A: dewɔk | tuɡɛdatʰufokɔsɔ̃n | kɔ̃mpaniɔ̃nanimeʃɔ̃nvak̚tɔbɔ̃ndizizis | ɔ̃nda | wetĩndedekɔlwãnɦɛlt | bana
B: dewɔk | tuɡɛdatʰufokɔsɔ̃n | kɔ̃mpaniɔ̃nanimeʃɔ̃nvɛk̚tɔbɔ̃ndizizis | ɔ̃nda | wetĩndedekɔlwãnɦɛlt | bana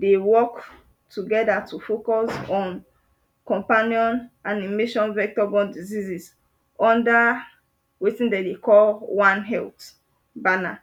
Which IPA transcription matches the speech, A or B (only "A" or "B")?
B